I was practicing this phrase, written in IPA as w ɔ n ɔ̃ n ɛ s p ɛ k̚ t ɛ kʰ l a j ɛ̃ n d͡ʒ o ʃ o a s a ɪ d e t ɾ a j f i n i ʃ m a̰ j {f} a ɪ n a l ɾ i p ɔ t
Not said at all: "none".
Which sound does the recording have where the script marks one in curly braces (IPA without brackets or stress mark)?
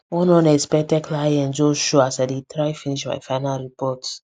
f